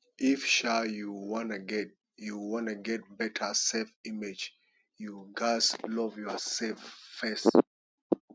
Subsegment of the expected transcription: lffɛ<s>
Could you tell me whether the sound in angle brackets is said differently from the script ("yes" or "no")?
no